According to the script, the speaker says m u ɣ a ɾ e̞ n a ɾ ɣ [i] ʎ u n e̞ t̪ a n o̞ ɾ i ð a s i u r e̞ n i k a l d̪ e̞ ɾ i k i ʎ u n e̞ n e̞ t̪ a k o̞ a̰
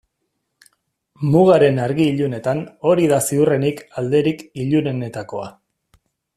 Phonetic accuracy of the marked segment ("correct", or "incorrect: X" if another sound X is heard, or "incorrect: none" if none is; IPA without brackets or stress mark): incorrect: iː